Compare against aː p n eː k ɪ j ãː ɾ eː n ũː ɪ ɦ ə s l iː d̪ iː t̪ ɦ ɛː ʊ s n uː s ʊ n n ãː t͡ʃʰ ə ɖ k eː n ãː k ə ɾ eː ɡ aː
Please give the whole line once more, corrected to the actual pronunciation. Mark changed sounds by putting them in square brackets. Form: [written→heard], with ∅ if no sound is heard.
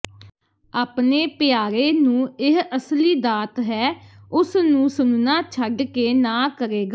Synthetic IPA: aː p n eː [k→p] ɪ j [ãː→aː] ɾ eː n ũː ɪ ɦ ə s l iː d̪ [iː→aː] t̪ ɦ ɛː ʊ s n [uː→ũː] s ʊ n n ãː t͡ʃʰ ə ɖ k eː n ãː k ə ɾ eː ɡ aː